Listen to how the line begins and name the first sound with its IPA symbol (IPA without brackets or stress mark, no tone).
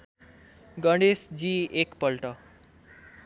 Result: ɡ